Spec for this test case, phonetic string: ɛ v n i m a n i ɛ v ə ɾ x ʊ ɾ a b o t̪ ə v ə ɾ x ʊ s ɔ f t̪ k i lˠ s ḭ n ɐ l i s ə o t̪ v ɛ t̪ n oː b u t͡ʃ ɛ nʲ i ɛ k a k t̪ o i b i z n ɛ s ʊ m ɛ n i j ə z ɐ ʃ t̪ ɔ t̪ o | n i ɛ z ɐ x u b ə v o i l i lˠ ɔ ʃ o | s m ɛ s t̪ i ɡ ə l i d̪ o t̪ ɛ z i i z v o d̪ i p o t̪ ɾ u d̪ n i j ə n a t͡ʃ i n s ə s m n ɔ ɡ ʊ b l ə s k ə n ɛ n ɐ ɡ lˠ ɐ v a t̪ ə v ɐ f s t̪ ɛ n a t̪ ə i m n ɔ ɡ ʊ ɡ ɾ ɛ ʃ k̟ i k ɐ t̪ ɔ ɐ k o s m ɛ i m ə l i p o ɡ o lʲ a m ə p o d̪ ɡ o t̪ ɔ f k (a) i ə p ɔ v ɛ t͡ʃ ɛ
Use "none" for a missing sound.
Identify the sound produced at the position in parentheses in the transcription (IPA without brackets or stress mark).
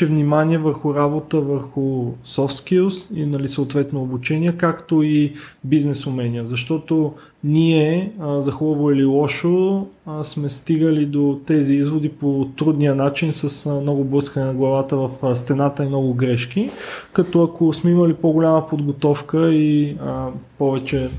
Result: ə